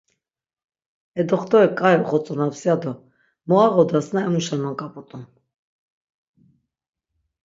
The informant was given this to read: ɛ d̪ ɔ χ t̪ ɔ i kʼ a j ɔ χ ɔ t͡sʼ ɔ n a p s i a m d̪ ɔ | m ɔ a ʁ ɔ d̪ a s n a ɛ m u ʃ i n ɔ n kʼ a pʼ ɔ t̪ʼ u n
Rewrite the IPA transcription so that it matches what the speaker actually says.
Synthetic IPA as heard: ɛ d̪ ɔ χ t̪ ɔ ɛ kʼ a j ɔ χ ɔ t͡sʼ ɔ n a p s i a d̪ ɔ | m ɔ a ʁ ɔ d̪ a s n a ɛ m u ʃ a n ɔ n kʼ a pʼ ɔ t̪ʼ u n